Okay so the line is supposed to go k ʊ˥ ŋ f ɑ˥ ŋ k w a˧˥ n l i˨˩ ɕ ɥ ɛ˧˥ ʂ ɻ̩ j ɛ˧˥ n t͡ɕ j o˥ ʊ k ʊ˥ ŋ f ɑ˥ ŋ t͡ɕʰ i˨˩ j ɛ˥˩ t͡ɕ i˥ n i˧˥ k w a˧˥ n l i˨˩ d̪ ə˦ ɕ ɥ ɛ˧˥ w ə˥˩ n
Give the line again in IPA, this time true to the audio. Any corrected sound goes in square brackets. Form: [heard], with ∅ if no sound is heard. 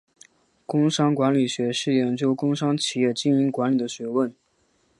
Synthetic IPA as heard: k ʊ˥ ŋ [ʂ] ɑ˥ ŋ k w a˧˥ n l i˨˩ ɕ ɥ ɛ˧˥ ʂ ɻ̩ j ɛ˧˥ n t͡ɕ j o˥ ʊ k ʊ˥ ŋ [ʂ] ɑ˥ ŋ t͡ɕʰ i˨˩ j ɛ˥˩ t͡ɕ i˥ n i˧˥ k w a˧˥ n l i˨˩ d̪ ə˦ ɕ ɥ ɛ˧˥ w ə˥˩ n